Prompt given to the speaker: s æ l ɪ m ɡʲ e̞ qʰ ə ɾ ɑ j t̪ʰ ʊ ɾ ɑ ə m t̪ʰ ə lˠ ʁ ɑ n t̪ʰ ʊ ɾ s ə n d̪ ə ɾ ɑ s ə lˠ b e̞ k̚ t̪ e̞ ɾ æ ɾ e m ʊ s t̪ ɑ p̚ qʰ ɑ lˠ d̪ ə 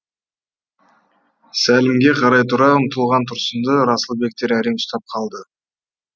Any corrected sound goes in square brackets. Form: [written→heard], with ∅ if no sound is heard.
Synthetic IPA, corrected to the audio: s æ l ɪ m ɡʲ e̞ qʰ [ə→ɑ] ɾ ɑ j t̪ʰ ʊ ɾ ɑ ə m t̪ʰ ə lˠ ʁ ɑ n t̪ʰ ʊ ɾ s ə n d̪ ə ɾ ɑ s ə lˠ b e̞ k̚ t̪ e̞ ɾ æ ɾ e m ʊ s t̪ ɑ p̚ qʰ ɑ lˠ d̪ ə